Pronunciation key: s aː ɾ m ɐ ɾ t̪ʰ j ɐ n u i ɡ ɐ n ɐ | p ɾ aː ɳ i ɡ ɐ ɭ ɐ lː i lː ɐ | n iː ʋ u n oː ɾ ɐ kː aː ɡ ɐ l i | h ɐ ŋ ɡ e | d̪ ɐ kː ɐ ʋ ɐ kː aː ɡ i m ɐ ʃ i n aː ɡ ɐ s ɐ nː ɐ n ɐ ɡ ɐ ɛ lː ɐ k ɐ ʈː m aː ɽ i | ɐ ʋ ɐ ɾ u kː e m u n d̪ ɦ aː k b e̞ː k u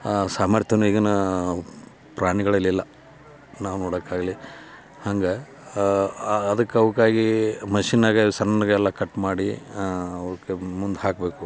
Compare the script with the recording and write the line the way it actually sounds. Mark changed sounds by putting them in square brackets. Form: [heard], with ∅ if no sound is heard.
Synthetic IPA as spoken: s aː [∅] m ɐ ɾ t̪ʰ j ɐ n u i ɡ ɐ n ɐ | p ɾ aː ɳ i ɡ ɐ ɭ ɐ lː i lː ɐ | n [aː] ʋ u n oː [ɽ] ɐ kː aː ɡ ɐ l i | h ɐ ŋ ɡ e | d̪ ɐ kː ɐ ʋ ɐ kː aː ɡ i m ɐ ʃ i n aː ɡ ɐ s ɐ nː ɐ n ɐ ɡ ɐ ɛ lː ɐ k ɐ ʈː m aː ɽ i | ɐ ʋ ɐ ɾ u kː e m u n d̪ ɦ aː k b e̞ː k u